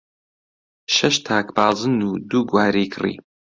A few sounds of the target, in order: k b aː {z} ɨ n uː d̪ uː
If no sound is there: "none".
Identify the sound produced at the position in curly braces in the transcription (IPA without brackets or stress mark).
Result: z